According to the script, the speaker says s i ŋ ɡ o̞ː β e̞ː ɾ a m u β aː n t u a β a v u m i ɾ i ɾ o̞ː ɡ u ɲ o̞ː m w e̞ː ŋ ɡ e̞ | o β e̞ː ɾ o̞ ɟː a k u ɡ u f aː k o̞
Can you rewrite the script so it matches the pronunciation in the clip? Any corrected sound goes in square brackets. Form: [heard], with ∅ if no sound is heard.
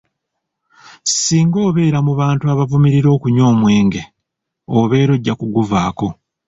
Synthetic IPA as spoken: s [iː] ŋ ɡ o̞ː β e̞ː ɾ a m u β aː n t u a β a v u m i ɾ i ɾ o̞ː [k] u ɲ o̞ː m w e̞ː ŋ ɡ e̞ | o β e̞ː ɾ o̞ ɟː a k u ɡ u [v] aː k o̞